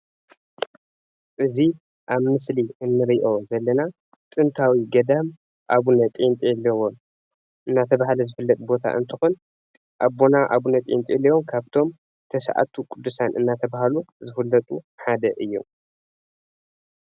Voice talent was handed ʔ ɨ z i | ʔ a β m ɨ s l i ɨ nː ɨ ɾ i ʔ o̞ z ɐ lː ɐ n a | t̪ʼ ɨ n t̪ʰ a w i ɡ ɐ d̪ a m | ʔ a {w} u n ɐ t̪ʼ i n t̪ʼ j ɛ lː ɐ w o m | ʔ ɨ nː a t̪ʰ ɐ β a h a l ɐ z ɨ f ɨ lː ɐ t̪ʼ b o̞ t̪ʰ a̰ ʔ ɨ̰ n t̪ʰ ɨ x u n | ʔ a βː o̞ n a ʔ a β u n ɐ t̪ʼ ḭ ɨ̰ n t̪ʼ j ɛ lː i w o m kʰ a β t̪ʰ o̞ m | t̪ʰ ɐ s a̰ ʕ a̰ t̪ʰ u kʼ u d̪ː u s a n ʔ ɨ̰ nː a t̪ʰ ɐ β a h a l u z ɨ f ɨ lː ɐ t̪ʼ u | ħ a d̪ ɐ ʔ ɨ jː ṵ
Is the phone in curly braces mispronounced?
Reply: yes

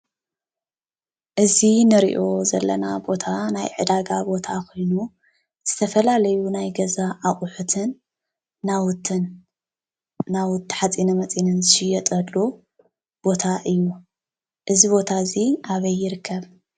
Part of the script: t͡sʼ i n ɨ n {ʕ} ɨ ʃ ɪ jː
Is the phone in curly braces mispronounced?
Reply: yes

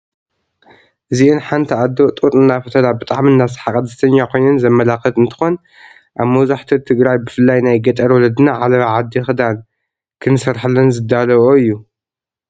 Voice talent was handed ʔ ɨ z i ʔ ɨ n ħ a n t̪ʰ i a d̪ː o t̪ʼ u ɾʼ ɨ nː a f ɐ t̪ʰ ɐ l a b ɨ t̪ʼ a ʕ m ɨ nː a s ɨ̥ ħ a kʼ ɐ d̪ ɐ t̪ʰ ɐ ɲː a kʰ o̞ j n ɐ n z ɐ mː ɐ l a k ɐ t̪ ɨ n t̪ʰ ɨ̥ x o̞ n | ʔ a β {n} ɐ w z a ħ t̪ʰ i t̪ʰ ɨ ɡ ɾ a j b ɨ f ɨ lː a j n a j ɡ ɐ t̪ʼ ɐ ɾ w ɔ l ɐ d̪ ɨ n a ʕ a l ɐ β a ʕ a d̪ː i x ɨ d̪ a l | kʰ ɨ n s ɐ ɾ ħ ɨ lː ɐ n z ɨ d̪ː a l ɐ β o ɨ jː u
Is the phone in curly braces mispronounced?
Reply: yes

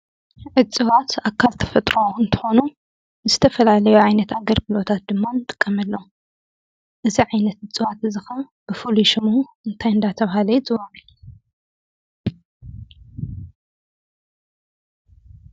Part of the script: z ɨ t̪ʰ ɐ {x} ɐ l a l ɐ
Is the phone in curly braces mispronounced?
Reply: yes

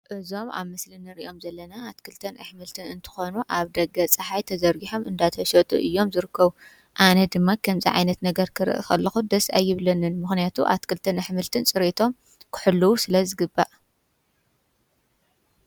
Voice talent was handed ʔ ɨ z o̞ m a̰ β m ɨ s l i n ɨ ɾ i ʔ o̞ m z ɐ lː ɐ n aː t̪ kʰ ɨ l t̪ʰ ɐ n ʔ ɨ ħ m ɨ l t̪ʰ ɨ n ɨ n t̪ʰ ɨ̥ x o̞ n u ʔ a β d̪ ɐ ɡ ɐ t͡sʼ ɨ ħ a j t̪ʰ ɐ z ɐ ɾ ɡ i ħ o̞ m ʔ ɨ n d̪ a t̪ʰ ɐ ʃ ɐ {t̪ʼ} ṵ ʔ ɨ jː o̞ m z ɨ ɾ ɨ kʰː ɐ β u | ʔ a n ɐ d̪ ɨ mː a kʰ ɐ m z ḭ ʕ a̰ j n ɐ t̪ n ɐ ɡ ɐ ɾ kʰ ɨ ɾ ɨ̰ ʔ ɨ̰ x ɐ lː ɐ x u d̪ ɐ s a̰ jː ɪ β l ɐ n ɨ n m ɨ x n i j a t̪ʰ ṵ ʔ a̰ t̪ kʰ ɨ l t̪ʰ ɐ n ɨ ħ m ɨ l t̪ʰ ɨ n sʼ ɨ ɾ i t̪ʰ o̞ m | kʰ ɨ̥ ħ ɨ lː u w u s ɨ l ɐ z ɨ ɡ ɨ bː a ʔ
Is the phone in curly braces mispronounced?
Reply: no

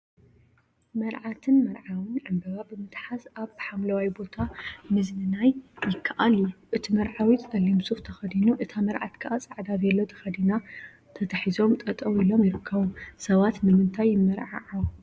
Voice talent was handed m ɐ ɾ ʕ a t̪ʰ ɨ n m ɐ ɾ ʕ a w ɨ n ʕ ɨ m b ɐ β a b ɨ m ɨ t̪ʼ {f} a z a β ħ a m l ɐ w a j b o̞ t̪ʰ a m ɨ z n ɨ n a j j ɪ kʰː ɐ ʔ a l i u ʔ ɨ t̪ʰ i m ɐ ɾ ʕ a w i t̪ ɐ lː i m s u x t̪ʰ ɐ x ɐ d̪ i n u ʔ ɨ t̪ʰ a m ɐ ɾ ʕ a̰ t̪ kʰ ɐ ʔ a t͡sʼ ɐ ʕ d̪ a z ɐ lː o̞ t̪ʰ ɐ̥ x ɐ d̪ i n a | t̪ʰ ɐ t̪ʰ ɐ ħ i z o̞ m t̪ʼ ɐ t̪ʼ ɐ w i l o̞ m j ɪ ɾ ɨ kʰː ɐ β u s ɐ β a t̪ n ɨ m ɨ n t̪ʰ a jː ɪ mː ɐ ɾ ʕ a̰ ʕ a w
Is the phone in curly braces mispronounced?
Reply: yes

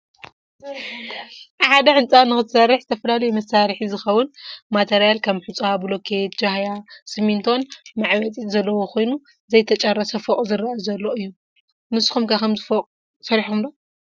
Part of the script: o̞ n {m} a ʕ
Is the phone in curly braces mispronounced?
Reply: no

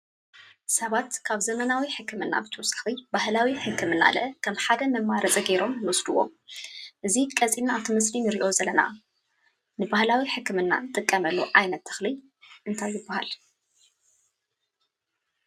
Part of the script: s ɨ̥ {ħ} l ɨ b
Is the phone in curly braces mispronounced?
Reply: yes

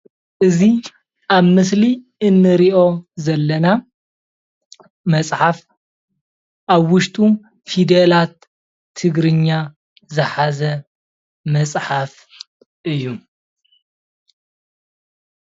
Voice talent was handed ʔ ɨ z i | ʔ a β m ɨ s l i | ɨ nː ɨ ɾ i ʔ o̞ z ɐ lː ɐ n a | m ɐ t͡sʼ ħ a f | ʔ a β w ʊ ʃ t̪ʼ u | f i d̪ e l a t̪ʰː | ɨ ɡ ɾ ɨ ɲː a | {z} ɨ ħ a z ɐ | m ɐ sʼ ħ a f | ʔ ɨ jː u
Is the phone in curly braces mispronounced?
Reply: no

